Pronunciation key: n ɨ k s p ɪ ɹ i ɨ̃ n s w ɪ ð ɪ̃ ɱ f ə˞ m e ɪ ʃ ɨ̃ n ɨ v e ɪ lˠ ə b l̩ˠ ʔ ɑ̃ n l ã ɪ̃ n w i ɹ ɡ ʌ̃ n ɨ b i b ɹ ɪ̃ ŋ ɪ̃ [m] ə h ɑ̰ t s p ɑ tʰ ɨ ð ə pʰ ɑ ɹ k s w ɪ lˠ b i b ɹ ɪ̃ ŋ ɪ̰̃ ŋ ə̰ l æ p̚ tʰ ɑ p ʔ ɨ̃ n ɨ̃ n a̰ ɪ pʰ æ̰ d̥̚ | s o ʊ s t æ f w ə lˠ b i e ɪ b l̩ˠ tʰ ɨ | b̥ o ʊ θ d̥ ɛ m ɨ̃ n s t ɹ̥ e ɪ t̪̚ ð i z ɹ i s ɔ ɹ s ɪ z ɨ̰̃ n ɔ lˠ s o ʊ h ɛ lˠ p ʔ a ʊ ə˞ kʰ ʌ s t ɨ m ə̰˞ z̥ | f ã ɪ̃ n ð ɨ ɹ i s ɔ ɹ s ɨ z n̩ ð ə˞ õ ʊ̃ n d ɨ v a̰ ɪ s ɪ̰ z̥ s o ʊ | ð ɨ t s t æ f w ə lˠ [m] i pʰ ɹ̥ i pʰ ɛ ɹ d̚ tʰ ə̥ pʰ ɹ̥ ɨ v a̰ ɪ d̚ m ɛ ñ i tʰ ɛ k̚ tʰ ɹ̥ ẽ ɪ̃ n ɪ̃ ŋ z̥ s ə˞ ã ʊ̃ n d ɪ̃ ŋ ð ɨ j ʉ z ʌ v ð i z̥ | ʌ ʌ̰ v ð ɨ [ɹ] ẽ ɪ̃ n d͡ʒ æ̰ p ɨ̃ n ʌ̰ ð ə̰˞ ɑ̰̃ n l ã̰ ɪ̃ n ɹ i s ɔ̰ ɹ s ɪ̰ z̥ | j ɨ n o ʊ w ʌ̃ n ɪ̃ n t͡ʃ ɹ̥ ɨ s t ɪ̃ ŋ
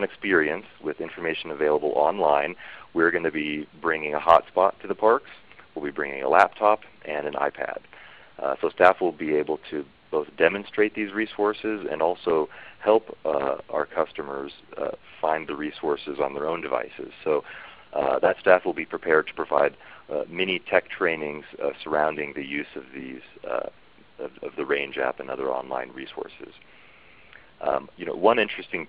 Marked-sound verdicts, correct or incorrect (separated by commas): incorrect, incorrect, correct